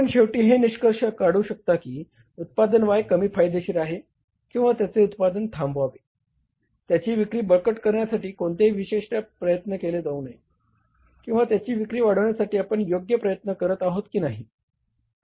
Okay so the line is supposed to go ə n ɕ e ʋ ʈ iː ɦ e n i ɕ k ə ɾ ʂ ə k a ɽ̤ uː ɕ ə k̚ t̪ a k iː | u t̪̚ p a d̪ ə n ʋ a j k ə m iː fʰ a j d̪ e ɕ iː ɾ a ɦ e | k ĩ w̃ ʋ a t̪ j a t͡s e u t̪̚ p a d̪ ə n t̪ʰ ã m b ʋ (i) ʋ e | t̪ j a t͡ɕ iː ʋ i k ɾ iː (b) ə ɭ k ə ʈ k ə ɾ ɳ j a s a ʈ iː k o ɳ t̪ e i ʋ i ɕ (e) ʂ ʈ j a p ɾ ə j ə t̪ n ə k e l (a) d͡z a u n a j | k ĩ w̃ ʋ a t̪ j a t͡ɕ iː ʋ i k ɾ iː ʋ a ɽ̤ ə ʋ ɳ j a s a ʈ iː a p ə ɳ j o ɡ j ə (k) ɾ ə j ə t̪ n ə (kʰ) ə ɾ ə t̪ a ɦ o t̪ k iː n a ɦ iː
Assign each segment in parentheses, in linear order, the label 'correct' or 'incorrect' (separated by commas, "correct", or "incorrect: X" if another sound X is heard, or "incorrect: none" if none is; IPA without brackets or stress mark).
incorrect: a, correct, correct, incorrect: e, incorrect: p, incorrect: k